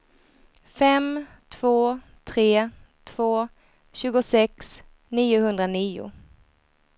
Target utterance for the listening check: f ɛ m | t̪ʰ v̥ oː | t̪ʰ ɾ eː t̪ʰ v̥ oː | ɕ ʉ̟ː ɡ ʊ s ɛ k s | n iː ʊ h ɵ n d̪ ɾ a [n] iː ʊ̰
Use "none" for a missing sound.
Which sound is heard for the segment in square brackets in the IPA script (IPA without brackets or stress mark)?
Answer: n